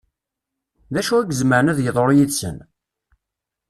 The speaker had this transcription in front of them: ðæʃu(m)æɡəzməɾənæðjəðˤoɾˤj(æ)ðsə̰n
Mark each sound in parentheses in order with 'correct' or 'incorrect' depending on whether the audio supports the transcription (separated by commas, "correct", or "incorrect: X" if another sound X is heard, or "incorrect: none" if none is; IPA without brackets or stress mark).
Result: incorrect: none, incorrect: i